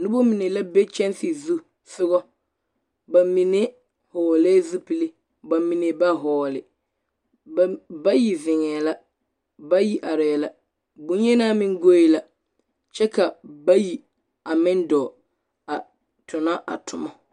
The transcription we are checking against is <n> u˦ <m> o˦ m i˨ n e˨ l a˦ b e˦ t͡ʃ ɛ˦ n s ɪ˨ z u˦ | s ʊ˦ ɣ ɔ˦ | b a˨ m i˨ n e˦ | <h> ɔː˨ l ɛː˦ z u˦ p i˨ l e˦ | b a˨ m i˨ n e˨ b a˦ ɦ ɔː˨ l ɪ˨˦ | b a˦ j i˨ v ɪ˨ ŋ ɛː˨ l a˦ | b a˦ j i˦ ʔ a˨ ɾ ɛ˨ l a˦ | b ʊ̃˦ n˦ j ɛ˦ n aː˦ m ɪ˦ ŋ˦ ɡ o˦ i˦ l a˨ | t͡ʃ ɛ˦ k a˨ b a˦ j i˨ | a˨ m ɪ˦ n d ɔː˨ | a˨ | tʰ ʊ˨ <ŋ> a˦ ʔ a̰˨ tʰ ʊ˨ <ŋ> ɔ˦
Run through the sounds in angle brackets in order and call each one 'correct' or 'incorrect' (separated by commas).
correct, incorrect, correct, incorrect, incorrect